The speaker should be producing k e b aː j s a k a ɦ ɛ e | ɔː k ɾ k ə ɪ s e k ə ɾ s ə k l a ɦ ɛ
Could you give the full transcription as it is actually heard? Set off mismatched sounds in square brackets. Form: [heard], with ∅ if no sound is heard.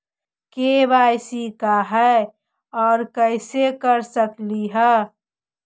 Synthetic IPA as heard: k e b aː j s [i] k a ɦ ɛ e | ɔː [∅] ɾ k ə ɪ s e k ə ɾ s ə k l [i] ɦ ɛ